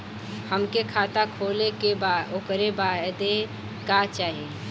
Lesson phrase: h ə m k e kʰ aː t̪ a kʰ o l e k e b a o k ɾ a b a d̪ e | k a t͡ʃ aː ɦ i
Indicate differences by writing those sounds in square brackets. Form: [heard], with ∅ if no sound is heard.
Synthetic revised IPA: h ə m k e kʰ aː t̪ a kʰ o l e k e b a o k ɾ [e] b a d̪ e | k a t͡ʃ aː ɦ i